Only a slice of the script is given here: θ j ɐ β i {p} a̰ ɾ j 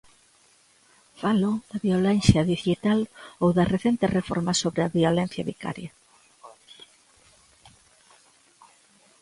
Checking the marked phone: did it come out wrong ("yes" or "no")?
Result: yes